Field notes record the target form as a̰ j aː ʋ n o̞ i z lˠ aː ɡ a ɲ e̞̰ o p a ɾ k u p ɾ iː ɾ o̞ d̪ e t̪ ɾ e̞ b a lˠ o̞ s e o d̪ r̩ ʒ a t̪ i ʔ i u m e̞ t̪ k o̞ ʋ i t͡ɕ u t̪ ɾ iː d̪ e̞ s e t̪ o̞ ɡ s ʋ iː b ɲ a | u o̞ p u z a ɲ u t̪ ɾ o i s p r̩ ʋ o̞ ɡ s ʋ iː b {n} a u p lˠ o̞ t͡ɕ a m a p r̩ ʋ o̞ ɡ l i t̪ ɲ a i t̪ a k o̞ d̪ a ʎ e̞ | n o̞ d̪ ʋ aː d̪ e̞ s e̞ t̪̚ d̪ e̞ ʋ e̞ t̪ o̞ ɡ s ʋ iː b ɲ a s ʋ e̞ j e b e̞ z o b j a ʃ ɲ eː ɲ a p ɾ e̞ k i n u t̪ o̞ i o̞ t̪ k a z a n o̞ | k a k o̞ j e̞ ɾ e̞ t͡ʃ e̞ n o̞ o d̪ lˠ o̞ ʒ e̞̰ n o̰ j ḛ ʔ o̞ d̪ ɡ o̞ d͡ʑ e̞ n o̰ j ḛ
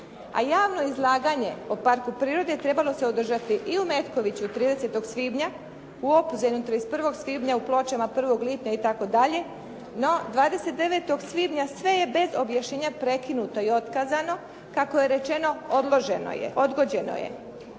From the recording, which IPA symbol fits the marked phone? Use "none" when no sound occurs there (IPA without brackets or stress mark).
ɲ